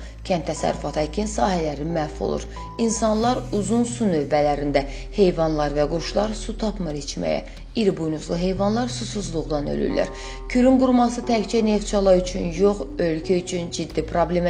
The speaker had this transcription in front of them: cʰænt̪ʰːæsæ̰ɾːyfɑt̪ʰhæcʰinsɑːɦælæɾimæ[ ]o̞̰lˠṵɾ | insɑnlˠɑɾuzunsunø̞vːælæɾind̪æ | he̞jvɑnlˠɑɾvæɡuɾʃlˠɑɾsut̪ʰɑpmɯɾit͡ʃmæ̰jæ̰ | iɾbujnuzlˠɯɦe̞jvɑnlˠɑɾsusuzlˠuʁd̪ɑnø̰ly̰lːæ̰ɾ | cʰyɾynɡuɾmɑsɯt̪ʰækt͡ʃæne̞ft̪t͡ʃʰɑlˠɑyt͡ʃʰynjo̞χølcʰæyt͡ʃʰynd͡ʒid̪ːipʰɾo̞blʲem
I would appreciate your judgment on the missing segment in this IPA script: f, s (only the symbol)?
f